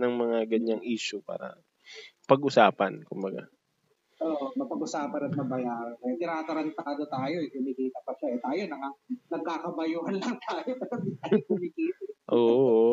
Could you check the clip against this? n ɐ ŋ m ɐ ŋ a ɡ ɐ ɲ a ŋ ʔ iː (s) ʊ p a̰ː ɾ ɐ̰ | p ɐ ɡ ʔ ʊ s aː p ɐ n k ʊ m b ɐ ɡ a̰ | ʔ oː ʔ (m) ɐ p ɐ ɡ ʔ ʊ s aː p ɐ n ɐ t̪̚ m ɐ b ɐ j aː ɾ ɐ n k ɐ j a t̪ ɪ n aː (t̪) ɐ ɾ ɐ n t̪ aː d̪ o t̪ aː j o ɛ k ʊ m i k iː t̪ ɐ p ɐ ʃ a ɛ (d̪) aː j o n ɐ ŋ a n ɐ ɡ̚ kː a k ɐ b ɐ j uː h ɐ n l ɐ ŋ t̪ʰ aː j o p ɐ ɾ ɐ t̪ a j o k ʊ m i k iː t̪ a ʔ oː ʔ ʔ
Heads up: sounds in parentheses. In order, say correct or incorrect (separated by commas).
incorrect, correct, correct, incorrect